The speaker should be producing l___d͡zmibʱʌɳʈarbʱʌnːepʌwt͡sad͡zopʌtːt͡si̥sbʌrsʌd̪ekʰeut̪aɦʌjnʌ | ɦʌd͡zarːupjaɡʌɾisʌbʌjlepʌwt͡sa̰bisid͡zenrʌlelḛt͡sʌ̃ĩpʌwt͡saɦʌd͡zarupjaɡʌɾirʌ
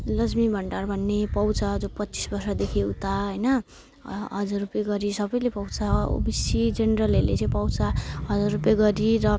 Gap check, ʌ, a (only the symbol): ʌ